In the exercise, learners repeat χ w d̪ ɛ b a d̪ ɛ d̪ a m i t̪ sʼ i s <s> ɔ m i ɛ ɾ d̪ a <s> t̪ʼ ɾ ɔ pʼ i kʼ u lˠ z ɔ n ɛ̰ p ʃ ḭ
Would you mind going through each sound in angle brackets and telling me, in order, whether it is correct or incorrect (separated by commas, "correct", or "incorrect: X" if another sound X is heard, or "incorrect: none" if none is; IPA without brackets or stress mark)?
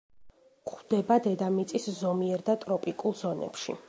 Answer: incorrect: z, incorrect: none